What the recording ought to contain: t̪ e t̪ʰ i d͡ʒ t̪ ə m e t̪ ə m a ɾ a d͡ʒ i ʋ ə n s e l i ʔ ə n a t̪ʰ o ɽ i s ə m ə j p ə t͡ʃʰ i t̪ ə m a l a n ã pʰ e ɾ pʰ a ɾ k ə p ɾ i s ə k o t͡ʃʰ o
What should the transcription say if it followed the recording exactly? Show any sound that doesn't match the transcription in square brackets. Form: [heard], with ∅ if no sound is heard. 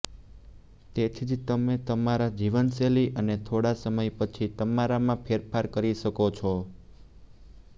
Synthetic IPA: t̪ e t̪ʰ i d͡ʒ t̪ ə m e t̪ ə m a ɾ a d͡ʒ i ʋ ə n s e l i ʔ ə n [e] t̪ʰ o ɽ [a] s ə m ə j p ə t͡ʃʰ i t̪ ə m a [ɾ] a [m] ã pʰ e ɾ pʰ a ɾ k ə [∅] ɾ i [ʃ] ə k o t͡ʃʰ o